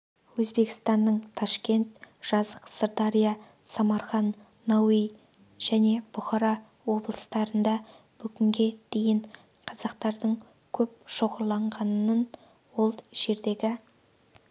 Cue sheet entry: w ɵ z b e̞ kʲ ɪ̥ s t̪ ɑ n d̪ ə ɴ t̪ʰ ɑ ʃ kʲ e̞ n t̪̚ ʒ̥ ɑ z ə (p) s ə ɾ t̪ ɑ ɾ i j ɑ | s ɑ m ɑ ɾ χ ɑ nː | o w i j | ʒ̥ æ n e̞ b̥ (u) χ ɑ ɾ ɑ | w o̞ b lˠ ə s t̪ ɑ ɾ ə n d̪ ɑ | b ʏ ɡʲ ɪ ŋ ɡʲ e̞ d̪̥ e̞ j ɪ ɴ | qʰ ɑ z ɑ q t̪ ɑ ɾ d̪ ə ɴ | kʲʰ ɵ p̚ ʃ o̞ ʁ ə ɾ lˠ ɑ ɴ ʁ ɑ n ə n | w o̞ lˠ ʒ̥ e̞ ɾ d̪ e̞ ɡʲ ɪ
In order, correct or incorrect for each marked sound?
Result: incorrect: q, incorrect: ʊ

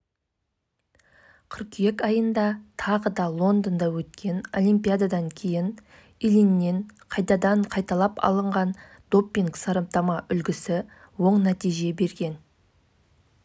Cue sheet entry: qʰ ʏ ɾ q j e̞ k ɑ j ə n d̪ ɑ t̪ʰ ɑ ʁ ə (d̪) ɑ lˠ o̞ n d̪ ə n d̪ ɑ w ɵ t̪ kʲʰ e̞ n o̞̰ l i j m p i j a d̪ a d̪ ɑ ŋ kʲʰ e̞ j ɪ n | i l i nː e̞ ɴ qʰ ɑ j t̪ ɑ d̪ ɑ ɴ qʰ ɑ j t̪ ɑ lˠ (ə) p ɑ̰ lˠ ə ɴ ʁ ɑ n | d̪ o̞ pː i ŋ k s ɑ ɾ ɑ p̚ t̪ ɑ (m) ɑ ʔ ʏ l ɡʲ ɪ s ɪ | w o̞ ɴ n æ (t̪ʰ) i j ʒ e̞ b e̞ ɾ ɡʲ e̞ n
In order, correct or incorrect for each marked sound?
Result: correct, incorrect: ɑ, correct, incorrect: t̪

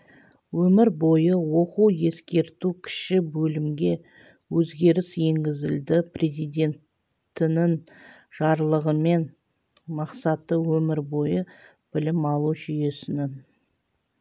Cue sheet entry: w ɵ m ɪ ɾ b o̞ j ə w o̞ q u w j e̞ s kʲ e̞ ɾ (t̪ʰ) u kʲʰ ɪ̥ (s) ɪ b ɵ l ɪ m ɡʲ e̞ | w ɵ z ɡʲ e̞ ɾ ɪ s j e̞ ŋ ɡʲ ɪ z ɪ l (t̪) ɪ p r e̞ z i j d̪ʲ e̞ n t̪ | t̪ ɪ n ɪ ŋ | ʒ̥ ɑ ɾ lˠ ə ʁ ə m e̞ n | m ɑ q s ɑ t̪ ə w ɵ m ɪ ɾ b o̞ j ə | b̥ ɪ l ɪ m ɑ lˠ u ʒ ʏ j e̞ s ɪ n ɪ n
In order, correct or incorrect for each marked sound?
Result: incorrect: t̪, incorrect: ʃ, incorrect: d̪

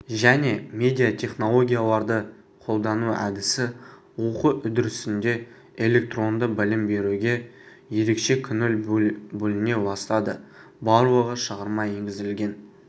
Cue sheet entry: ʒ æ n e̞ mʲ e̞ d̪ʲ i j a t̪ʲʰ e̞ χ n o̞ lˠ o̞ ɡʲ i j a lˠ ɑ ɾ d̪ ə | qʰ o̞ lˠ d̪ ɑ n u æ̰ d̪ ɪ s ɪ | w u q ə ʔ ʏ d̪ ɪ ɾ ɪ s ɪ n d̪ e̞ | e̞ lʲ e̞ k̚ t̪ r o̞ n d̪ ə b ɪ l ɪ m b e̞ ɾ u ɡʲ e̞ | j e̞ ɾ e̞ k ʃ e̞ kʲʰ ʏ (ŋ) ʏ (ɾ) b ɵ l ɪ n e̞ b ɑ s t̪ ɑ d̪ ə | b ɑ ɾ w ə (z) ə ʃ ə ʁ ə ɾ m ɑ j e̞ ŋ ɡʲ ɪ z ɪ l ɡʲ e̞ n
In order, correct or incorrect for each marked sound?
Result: incorrect: n, incorrect: l, incorrect: ʁ

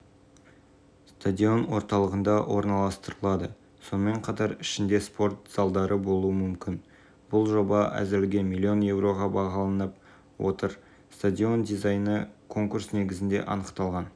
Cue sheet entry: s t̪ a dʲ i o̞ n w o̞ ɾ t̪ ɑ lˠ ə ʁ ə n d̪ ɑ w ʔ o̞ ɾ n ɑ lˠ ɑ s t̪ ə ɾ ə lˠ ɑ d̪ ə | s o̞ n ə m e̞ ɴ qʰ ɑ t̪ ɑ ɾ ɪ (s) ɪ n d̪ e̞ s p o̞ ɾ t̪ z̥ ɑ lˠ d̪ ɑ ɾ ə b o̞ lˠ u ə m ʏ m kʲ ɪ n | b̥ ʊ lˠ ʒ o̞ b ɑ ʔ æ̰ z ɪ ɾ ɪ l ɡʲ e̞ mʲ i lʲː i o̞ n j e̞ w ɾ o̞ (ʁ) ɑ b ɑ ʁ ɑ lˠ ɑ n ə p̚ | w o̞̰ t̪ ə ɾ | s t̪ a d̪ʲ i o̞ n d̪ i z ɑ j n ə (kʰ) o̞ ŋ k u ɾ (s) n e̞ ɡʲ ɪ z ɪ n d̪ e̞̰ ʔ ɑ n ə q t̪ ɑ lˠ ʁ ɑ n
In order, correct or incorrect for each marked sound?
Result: incorrect: ʃ, correct, correct, correct

